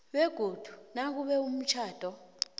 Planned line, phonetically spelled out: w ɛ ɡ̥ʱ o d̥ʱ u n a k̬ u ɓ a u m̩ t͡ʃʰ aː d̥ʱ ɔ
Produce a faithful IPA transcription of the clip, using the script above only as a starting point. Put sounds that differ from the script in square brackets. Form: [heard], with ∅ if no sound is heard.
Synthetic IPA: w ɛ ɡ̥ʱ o d̥ʱ u n a k̬ u ɓ [ɛ] u m̩ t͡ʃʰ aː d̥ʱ ɔ